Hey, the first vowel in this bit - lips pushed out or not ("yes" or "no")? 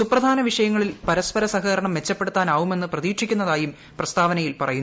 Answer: yes